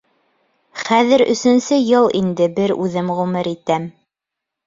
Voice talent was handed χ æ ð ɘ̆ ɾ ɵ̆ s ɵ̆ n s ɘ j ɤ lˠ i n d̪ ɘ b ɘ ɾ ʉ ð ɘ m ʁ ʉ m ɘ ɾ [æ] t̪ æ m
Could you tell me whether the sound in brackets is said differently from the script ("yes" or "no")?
yes